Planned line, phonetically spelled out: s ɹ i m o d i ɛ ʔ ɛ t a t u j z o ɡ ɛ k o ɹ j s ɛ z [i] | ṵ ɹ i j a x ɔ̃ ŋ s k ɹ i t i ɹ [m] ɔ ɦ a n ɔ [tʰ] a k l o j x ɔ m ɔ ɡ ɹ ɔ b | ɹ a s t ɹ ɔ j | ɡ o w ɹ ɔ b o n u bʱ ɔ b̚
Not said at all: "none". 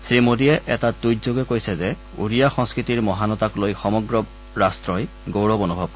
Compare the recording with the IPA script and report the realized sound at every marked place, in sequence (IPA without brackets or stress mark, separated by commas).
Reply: ɛ, m, t